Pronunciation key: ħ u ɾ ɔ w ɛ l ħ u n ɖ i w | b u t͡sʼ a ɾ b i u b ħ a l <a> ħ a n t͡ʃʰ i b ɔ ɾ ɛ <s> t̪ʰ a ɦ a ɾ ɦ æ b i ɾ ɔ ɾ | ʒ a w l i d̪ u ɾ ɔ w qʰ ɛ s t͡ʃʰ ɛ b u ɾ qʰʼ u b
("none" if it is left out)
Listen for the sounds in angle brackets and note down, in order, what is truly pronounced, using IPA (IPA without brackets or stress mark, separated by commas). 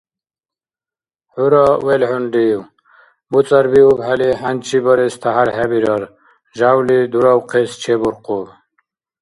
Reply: i, s